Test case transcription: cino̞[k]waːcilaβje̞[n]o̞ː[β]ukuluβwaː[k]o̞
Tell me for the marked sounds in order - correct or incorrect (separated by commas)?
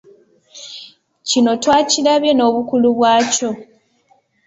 incorrect, correct, correct, incorrect